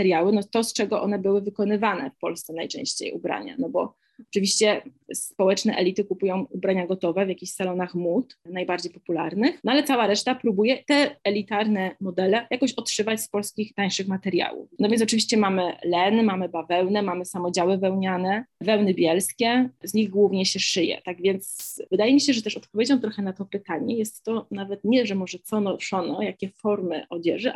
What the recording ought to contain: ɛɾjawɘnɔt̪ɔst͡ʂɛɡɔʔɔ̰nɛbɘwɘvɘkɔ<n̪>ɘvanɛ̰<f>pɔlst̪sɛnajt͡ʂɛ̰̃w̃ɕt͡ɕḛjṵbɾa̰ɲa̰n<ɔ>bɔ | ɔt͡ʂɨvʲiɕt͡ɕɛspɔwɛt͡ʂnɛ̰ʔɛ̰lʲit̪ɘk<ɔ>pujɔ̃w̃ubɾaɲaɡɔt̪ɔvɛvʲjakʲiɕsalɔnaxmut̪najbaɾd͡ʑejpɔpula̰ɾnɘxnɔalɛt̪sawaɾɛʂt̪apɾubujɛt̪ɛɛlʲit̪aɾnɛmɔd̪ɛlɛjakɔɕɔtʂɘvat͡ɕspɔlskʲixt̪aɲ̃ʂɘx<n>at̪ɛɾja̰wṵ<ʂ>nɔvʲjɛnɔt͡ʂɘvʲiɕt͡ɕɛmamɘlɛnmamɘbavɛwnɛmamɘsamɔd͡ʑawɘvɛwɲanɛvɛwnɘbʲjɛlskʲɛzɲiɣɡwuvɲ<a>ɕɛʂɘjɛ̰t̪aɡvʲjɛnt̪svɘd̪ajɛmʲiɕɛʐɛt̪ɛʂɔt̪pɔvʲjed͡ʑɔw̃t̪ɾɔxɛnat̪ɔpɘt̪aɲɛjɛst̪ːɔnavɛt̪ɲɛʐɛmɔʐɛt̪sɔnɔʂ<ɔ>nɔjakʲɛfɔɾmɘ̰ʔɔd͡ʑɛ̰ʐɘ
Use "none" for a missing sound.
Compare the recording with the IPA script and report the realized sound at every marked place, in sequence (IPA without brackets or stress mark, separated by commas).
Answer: n̪, f, ɔ, u, m, f, ɛ, ɔ